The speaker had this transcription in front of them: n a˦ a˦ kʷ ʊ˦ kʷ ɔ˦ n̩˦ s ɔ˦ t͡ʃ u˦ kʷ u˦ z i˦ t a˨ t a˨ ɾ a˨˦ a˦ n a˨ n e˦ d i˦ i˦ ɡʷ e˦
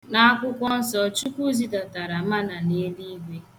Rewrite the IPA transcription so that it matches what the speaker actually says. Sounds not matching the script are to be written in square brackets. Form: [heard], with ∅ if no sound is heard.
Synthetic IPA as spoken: n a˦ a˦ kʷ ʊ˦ kʷ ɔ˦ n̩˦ s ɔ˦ t͡ʃ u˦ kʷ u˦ z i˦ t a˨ t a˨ ɾ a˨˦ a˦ n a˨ n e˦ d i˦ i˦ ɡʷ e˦

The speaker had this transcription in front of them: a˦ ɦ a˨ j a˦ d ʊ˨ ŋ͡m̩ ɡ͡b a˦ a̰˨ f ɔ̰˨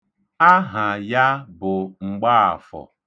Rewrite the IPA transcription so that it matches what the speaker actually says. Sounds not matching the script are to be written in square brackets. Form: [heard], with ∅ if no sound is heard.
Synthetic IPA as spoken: a˦ ɦ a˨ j a˦ [b] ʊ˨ ŋ͡m̩ ɡ͡b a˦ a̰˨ f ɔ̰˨

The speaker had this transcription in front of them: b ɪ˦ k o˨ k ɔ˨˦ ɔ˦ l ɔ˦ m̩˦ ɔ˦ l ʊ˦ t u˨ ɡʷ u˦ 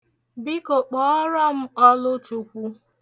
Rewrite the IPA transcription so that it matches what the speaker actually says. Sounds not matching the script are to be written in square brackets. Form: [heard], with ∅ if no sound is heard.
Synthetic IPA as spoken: b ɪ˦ k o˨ [k͡p] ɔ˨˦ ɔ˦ [ɾ] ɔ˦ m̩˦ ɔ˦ l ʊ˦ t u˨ [kʷ] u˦

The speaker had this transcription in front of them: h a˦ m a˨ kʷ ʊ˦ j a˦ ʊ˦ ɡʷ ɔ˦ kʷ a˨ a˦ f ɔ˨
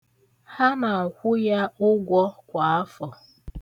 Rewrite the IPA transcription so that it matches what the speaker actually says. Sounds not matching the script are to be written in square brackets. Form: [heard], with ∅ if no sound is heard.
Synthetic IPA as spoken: h a˦ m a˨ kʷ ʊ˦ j a˦ ʊ˦ ɡʷ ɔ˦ kʷ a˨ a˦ f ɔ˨

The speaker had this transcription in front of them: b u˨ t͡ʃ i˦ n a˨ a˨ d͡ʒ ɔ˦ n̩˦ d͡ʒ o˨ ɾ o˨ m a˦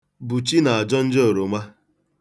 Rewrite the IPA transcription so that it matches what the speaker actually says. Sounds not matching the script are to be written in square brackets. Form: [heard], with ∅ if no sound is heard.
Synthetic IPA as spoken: b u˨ t͡ʃ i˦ n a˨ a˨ d͡ʒ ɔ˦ n̩˦ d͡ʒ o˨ ɾ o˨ m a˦

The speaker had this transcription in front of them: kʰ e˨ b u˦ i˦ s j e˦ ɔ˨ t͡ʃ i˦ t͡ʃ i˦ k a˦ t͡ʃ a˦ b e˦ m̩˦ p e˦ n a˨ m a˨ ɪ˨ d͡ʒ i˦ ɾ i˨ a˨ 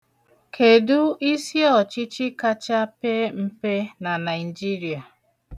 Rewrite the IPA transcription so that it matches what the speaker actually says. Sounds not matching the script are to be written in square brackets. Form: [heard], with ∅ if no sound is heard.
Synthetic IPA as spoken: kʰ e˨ [d] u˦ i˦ s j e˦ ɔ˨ t͡ʃ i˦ t͡ʃ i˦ k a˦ t͡ʃ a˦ [p] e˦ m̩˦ p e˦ n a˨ [n] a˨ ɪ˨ d͡ʒ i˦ ɾ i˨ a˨

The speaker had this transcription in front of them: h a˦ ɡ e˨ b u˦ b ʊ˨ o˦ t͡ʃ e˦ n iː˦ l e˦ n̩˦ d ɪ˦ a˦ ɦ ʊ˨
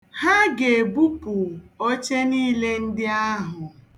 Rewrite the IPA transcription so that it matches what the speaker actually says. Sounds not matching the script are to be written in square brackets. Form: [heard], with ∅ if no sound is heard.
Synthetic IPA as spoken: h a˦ ɡ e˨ b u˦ [p] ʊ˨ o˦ t͡ʃ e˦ n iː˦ l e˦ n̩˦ d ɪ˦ a˦ ɦ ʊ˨

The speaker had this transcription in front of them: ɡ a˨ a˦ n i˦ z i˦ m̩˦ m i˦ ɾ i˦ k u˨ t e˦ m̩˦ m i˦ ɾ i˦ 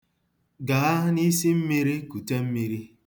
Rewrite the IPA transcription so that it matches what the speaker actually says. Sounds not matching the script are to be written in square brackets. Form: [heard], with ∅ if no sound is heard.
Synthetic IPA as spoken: ɡ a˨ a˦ n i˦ [s] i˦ m̩˦ m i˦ ɾ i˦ k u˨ t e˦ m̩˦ m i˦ ɾ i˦

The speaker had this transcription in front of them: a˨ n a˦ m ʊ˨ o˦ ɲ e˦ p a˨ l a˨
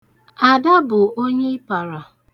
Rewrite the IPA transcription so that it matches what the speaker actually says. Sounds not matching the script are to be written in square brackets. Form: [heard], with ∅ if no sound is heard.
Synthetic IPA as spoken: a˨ [d] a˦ [b] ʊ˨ o˦ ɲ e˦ p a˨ [ɾ] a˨

